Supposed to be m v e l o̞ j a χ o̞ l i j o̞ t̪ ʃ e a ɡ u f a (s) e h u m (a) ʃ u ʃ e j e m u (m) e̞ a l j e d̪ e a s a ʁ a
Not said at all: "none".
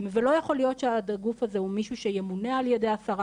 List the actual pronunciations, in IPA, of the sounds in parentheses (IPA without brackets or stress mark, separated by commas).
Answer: z, i, n